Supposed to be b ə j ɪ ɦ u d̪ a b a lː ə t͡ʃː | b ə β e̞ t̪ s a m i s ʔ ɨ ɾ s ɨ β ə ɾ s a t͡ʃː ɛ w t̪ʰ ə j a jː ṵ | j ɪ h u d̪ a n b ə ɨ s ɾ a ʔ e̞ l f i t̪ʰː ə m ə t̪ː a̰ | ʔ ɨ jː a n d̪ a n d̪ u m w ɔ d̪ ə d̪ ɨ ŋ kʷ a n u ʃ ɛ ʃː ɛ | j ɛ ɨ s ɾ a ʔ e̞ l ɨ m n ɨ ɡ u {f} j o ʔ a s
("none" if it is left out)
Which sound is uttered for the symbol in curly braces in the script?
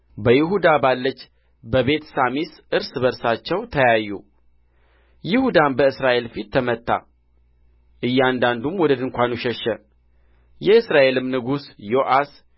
s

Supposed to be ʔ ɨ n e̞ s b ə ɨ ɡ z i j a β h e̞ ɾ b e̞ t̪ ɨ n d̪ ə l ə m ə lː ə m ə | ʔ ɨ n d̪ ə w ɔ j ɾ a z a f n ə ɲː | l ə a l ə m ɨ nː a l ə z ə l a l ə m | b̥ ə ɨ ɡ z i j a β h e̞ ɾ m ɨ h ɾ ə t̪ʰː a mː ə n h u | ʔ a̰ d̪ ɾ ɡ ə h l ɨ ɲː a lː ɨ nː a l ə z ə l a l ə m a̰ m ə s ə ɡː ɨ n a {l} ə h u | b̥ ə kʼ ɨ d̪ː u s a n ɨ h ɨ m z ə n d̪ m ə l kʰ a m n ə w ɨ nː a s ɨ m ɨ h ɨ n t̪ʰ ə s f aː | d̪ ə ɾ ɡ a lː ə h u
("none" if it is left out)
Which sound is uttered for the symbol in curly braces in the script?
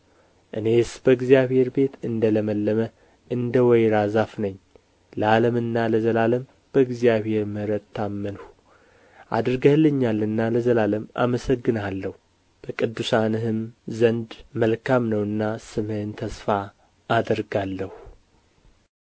lː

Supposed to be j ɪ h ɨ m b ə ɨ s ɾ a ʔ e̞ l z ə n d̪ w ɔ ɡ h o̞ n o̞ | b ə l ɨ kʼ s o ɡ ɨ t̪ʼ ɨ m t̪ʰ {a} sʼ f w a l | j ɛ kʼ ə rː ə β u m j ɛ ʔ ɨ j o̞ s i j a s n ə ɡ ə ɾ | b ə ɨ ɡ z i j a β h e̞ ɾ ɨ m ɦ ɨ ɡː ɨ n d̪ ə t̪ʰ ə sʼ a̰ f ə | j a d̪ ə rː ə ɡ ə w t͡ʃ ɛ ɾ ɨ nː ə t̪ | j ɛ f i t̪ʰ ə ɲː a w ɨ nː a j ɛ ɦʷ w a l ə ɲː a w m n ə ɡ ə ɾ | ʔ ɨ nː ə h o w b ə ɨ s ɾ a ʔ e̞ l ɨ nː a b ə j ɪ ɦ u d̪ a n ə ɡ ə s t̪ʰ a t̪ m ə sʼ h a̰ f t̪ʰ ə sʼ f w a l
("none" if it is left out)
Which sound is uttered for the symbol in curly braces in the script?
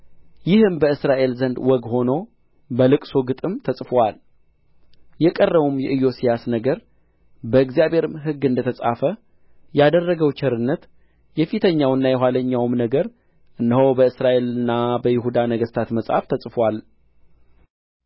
ə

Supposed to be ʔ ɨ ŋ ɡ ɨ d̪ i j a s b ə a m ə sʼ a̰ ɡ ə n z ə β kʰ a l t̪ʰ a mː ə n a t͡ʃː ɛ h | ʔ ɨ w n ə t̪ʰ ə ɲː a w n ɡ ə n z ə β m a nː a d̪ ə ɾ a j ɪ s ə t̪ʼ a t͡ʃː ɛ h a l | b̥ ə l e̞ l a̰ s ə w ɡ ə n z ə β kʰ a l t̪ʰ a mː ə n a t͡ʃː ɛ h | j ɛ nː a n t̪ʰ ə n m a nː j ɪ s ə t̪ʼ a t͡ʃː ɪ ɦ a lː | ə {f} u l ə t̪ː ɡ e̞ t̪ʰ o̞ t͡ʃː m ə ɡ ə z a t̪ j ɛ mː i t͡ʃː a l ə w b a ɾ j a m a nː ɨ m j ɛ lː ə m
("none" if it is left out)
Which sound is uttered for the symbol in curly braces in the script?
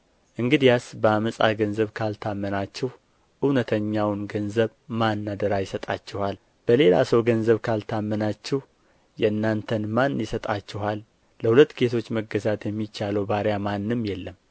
h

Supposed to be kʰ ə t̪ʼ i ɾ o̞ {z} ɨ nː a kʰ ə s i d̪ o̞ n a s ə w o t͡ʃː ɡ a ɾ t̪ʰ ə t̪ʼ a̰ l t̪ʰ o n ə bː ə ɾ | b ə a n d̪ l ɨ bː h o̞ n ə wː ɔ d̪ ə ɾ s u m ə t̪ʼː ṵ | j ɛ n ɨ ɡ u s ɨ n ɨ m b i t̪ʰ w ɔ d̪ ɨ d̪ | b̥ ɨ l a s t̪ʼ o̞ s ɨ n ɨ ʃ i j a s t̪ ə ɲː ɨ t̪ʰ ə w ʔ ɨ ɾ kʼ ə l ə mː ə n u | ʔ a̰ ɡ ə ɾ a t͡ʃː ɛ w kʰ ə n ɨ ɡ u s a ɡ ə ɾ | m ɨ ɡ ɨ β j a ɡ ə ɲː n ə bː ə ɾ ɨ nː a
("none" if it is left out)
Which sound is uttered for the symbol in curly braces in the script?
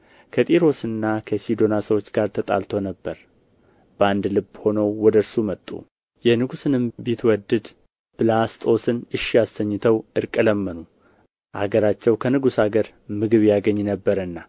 s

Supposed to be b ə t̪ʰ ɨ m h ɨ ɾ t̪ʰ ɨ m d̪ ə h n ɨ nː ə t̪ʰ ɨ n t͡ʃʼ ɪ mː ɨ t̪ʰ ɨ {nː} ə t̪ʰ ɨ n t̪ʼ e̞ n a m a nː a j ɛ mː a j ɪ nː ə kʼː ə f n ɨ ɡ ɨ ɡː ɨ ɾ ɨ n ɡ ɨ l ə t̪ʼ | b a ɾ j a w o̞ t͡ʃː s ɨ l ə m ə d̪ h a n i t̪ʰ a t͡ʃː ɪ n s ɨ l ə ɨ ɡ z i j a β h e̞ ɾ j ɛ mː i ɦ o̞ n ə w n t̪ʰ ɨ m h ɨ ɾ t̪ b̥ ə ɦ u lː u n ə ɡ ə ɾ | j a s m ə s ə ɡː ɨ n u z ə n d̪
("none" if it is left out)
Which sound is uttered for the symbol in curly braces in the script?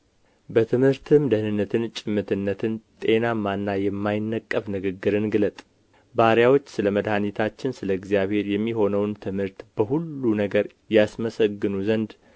nː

